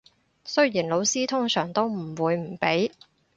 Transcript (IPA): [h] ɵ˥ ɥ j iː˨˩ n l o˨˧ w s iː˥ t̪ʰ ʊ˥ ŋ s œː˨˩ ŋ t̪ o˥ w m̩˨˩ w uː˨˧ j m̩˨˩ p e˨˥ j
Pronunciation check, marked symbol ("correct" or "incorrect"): incorrect